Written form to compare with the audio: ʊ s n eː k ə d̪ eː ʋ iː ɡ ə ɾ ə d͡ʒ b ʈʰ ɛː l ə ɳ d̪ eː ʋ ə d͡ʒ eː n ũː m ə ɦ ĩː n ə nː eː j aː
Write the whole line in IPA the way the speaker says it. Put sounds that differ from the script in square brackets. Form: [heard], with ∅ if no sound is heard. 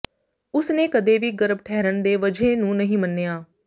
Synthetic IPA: ʊ s n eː k ə d̪ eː ʋ iː ɡ ə ɾ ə [∅] b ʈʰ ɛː [ɾ] ə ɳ d̪ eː ʋ ə d͡ʒ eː n ũː [n] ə ɦ ĩː [m] ə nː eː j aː

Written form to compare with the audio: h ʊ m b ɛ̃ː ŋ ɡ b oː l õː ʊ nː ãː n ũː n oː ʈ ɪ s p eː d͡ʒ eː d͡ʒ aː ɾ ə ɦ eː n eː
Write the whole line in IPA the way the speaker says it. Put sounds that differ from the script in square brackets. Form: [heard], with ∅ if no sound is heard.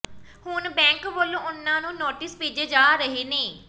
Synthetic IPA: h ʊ [n] b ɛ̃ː ŋ [k] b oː l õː ʊ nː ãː n ũː n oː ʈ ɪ s p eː d͡ʒ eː d͡ʒ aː ɾ ə ɦ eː n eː

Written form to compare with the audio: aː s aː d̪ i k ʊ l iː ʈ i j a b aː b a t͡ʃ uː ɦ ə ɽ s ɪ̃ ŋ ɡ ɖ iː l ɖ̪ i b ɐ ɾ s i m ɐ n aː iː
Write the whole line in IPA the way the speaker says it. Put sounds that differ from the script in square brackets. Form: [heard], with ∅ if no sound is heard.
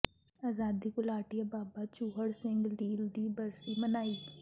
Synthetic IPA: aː [z] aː d̪ i k ʊ l [aː] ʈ i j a b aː b a t͡ʃ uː ɦ ə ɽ s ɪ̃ ŋ ɡ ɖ iː l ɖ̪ i b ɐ ɾ s i m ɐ n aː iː

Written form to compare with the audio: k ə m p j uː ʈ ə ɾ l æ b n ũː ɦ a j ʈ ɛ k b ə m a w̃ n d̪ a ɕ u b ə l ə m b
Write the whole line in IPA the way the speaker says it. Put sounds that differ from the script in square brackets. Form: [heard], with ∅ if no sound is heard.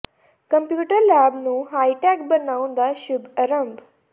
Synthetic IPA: k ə m p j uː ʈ ə ɾ l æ b n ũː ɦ a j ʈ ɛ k b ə [n] a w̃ n d̪ a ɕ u b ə [ɾ] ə m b

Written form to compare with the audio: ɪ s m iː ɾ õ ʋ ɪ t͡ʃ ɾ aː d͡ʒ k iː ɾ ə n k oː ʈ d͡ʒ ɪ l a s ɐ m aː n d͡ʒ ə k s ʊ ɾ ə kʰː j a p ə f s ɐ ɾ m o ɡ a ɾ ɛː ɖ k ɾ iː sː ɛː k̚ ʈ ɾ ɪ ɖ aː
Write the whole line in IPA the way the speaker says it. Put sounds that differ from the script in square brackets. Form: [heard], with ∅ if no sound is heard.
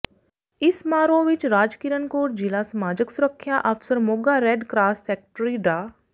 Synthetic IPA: ɪ s m [aː] ɾ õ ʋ ɪ t͡ʃ ɾ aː d͡ʒ k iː ɾ ə n k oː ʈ d͡ʒ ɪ l a s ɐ m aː [∅] d͡ʒ ə k s ʊ ɾ ə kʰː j a [ʔ] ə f s [ə] ɾ m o ɡ a ɾ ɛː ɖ k ɾ [aː] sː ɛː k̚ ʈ ɾ [i] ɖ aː

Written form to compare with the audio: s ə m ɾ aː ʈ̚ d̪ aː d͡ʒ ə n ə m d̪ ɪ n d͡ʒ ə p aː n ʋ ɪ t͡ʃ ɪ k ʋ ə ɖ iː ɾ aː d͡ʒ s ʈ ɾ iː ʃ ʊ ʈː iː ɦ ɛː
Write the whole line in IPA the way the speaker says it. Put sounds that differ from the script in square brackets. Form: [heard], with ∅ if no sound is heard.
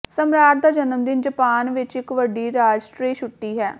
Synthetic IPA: s ə m ɾ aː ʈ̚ d̪ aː d͡ʒ ə n ə m d̪ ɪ n d͡ʒ ə p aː n ʋ ɪ t͡ʃ ɪ k ʋ ə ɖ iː ɾ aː d͡ʒ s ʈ ɾ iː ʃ ʊ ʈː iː ɦ ɛː

